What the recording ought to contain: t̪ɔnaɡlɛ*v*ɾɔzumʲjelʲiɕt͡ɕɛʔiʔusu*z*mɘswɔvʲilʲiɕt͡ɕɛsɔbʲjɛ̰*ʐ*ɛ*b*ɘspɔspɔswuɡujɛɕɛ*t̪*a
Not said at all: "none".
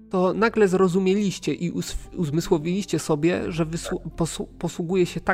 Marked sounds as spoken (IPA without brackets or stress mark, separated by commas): z, z, ʐ, v, t̪